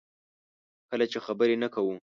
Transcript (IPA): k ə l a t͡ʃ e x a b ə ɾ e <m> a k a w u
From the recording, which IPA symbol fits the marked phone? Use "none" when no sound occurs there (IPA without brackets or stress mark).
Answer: n